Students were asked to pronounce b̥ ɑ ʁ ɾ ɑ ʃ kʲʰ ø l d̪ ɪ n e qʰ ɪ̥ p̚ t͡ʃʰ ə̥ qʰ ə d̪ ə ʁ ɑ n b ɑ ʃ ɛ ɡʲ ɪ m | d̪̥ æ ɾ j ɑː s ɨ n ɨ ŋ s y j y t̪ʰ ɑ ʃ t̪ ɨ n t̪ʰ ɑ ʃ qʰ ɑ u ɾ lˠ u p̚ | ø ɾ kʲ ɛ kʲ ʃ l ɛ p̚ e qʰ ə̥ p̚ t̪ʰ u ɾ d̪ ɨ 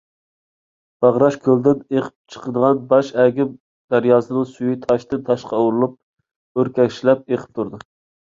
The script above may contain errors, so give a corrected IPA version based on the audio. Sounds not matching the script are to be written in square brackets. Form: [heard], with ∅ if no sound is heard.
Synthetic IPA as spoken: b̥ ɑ ʁ ɾ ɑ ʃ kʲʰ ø l d̪ ɪ n e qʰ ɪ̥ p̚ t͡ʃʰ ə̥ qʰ ə d̪ ə ʁ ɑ n b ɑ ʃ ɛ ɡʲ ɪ m | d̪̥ æ ɾ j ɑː s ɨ n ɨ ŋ s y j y t̪ʰ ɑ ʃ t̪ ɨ n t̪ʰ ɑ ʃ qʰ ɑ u ɾ lˠ u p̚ | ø ɾ kʲ ɛ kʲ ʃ l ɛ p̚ e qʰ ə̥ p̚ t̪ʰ u ɾ d̪ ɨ